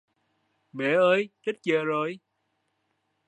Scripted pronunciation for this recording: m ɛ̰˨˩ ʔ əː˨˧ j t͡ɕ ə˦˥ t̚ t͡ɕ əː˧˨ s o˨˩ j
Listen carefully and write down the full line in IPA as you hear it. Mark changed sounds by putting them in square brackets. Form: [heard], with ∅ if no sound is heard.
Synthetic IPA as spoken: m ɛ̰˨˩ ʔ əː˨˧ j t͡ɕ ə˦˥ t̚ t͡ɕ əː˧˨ [z] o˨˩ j

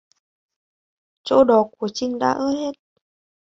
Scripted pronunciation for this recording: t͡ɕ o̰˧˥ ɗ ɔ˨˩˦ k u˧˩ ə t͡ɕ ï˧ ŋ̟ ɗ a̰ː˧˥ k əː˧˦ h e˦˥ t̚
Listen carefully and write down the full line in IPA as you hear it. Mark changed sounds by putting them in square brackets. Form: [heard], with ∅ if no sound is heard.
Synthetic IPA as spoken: t͡ɕ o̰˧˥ ɗ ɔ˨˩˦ k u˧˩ ə t͡ɕ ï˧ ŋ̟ ɗ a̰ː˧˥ [ʔ] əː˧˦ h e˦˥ t̚

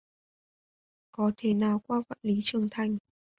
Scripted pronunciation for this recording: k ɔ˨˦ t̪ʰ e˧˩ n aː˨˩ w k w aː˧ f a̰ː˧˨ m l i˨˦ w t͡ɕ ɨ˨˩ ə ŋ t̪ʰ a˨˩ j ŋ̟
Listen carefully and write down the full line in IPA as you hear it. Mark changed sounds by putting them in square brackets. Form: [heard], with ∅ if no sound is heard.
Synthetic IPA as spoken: k ɔ˨˦ t̪ʰ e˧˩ n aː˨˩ w k w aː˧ f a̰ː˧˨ [n] l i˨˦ [∅] t͡ɕ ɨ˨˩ ə ŋ t̪ʰ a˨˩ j ŋ̟

